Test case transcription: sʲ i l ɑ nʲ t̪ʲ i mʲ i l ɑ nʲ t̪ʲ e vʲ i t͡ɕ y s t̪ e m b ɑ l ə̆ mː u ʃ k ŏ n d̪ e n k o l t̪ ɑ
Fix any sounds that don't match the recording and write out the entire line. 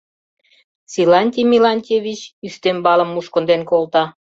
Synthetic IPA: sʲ i l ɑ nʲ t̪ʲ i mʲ i l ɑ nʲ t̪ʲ e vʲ i t͡ɕ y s t̪ e m b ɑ l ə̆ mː u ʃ k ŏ n d̪ e n k o l t̪ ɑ